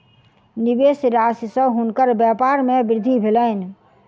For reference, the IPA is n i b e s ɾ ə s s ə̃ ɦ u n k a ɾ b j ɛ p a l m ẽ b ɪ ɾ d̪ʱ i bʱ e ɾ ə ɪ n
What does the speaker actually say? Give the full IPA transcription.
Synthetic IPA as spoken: n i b e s ɾ a s s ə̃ ɦ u n k ə ɾ b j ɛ p a ɾ m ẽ b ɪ ɾ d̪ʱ i bʱ e l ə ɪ n